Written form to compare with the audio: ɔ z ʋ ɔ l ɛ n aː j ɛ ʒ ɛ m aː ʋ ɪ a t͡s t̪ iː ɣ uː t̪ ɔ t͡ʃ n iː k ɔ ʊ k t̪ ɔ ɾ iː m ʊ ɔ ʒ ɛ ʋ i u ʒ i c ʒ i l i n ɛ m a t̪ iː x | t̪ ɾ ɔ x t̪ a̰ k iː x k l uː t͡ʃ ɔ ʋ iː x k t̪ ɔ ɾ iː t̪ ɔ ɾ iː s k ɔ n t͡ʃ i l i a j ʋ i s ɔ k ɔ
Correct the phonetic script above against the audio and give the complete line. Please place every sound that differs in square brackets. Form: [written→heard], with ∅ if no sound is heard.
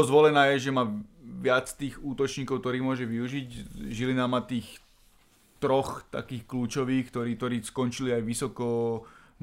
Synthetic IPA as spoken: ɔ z ʋ ɔ l ɛ n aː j ɛ ʒ ɛ m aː ʋ ɪ a t͡s t̪ iː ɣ uː t̪ ɔ t͡ʃ [n→ɲ] iː k ɔ ʊ k t̪ ɔ ɾ iː m ʊ ɔ ʒ ɛ ʋ i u ʒ i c ʒ i l i n [ɛ→a] m a t̪ iː x | t̪ ɾ ɔ x t̪ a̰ k iː x k l uː t͡ʃ ɔ ʋ iː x k t̪ ɔ ɾ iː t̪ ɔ ɾ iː s k ɔ n t͡ʃ i l i a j ʋ i s ɔ k ɔ